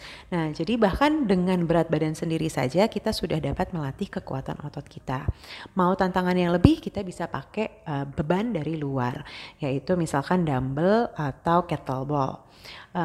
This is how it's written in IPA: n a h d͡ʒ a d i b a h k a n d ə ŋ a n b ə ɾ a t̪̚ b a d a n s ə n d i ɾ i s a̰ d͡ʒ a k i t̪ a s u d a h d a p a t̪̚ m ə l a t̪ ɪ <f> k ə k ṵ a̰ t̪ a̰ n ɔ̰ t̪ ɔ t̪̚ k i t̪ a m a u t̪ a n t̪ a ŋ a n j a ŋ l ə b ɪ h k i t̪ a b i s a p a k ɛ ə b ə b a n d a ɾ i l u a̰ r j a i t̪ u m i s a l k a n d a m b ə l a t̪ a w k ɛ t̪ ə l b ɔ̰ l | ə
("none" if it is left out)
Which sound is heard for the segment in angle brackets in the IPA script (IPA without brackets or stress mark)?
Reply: h